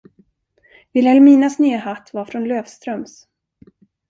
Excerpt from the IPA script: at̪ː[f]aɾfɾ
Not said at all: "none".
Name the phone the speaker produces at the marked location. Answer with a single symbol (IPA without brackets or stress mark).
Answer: v